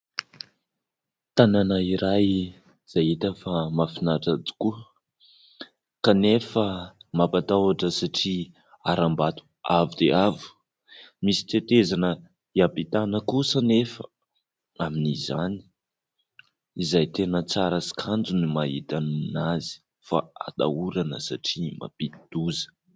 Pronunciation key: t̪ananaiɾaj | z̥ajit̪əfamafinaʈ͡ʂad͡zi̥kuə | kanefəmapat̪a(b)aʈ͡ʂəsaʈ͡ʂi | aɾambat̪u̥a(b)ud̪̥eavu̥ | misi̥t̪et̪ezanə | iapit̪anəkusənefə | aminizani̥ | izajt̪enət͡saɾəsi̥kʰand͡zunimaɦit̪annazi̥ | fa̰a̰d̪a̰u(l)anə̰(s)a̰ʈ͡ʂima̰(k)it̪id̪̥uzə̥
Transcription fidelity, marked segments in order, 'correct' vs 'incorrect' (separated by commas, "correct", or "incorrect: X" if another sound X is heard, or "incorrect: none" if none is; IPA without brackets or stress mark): incorrect: w, incorrect: v, incorrect: ɾ, correct, incorrect: p